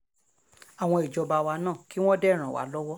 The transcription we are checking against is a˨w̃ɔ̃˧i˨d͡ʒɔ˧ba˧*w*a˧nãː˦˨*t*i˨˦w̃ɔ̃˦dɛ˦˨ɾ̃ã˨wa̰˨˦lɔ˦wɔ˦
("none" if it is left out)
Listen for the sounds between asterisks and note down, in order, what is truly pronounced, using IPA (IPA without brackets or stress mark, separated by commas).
w, k